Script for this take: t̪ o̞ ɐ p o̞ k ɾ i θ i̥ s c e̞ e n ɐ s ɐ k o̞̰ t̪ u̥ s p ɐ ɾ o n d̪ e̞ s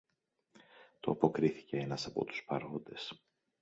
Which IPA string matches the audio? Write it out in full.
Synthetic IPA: t̪ o̞ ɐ p o̞ k ɾ i θ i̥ c e̞ e n ɐ s ɐ p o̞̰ t̪ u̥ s p ɐ ɾ o n d̪ e̞ s